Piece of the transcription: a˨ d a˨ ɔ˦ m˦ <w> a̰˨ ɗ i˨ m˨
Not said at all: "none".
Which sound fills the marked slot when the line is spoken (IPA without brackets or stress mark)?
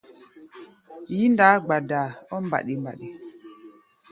b